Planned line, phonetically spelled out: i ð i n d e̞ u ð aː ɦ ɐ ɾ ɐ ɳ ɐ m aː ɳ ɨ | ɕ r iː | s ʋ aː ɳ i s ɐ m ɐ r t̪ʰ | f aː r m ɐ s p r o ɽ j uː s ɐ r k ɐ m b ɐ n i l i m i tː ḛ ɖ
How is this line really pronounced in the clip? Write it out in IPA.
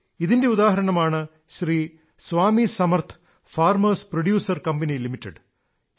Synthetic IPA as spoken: i ð i n d e̞ u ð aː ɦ ɐ ɾ ɐ ɳ ɐ m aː ɳ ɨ | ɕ r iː | s ʋ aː m i s ɐ m ɐ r t̪ʰ | f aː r m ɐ s p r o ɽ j uː s ɐ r k ɐ m b ɐ n i l i m i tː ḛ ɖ